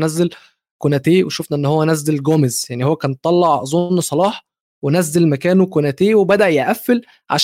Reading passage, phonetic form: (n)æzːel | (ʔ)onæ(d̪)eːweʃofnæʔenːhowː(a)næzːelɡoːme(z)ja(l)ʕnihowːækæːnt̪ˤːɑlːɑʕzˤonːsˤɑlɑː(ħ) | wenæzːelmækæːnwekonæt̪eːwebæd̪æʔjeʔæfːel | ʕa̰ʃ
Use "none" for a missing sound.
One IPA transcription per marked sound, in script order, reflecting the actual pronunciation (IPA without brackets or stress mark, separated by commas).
n, k, t̪, æ, z, none, ħ